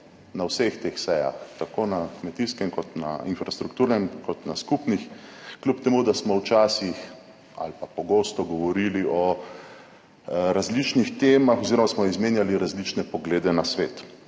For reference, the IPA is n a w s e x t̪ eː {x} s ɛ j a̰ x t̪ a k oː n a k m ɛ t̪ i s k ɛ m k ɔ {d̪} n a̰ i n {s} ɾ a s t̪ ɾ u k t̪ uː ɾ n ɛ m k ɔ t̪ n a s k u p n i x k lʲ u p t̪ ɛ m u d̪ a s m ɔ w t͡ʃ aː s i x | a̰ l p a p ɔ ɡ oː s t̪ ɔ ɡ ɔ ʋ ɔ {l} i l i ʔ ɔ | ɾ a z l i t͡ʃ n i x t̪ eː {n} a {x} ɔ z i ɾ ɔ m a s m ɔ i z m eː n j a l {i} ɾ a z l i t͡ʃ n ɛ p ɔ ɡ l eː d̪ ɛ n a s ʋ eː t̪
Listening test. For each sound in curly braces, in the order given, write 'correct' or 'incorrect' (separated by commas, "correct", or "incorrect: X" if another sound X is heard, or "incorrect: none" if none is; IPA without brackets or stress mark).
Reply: correct, incorrect: t̪, incorrect: f, incorrect: ɾ, incorrect: m, correct, correct